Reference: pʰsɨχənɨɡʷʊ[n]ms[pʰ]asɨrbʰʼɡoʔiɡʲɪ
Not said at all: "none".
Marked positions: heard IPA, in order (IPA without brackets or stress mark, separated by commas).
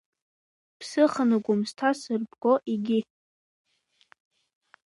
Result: none, tʰ